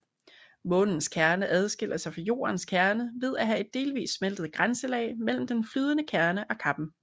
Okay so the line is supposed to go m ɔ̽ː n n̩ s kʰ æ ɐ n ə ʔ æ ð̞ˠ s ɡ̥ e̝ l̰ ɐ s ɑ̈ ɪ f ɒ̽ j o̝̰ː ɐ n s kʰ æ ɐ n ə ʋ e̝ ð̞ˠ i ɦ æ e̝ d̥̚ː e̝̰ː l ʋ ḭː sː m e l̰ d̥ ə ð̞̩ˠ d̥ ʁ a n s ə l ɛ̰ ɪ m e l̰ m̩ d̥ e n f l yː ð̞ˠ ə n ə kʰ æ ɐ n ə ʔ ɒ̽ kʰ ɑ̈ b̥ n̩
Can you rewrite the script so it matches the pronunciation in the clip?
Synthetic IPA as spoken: m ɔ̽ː n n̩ s kʰ æ ɐ n ə ʔ æ ð̞ˠ s ɡ̥ e̝ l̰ ɐ s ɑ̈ ɪ f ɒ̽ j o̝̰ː ɐ n s kʰ æ ɐ n ə ʋ e̝ ð̞ˠ æ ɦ æ e̝ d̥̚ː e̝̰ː l ʋ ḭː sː m e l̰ d̥ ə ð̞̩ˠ ɡ̥ ʁ a n s ə l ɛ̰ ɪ m e l̰ m̩ d̥ e n f l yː ð̞ˠ ə n ə kʰ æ ɐ n ə ʔ ɒ̽ kʰ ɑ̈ b̥ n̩